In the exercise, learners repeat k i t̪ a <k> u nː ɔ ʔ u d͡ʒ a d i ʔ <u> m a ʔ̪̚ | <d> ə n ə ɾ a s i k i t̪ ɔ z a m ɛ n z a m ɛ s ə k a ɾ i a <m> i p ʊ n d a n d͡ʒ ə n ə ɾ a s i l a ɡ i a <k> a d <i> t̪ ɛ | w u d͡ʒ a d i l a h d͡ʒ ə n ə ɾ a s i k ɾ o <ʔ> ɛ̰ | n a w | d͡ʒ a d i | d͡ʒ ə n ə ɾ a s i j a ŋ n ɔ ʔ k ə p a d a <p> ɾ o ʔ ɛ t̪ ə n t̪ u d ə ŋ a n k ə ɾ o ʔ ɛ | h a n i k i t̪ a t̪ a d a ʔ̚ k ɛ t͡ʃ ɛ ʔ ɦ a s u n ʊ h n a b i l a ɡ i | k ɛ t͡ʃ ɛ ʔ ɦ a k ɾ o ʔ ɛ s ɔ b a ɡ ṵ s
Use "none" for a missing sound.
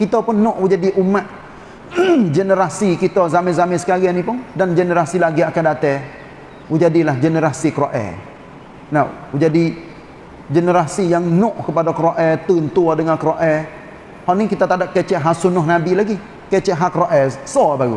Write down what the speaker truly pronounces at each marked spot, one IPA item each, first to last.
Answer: p, u, d͡ʒ, n, k, a, ʔ, k

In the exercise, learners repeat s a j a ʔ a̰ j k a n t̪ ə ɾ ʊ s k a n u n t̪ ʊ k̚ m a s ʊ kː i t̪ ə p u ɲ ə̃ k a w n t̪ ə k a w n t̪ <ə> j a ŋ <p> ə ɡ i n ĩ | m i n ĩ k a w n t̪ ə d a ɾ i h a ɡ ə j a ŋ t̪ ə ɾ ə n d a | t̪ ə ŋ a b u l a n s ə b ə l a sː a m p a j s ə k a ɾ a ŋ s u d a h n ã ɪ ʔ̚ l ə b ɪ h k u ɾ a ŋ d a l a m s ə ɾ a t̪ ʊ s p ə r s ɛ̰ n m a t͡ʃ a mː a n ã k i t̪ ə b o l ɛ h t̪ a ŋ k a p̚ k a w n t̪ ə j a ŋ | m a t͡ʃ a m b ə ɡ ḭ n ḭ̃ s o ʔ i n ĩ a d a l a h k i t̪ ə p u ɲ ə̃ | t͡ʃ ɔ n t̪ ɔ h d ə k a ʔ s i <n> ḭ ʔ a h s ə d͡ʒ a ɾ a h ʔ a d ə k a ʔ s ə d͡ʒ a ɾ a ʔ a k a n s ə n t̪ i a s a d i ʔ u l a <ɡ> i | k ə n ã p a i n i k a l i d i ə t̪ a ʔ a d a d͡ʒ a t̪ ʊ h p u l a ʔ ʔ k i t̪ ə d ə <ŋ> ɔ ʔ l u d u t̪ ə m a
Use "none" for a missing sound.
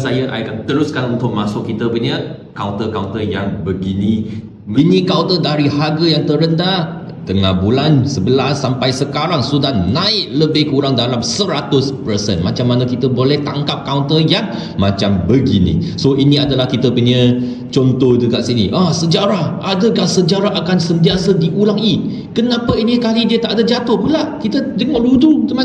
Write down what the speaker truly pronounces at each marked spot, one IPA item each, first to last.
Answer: ə, b, n, ŋ, ŋ

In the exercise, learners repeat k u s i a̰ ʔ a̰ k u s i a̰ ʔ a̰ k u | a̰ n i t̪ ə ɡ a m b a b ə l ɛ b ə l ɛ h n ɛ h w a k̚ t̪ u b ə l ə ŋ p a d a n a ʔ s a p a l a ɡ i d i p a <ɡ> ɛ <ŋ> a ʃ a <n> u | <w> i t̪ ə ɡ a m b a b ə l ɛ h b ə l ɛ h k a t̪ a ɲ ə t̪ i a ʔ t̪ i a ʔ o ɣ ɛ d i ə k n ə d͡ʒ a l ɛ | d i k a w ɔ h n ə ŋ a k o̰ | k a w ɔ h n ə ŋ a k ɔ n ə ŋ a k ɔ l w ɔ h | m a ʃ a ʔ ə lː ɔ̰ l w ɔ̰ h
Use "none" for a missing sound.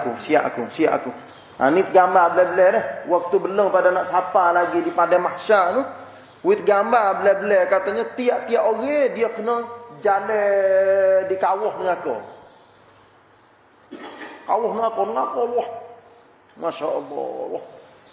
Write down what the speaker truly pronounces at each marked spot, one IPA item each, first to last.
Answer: d, m, n, w

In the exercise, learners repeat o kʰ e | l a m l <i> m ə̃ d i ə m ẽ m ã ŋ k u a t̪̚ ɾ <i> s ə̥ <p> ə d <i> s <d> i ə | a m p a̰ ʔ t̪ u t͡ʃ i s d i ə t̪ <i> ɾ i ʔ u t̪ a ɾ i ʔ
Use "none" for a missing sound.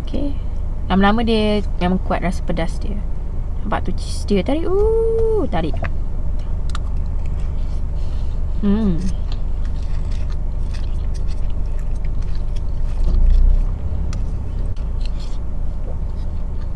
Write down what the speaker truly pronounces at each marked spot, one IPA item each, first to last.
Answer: a, a, p, a, d, a

